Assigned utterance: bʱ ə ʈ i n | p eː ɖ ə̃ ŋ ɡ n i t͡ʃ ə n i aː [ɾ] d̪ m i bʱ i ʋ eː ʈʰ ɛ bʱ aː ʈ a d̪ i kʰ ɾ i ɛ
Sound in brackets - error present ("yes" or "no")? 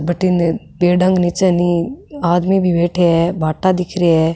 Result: yes